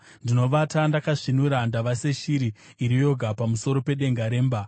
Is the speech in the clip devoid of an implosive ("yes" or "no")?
no